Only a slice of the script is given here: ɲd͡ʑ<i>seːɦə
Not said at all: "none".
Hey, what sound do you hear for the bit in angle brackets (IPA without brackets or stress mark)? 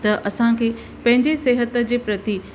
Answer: e